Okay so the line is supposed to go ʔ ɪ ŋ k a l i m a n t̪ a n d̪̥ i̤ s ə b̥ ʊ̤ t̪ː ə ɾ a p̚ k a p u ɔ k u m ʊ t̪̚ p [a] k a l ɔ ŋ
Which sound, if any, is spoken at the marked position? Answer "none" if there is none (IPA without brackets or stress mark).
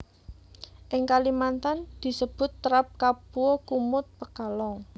ə